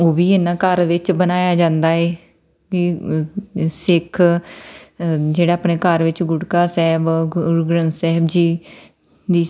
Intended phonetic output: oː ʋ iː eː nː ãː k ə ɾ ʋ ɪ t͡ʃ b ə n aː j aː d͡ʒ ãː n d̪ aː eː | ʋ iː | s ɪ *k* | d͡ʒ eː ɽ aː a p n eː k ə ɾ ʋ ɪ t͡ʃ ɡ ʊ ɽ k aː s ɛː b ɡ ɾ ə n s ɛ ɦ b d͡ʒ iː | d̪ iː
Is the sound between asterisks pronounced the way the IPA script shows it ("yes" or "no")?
no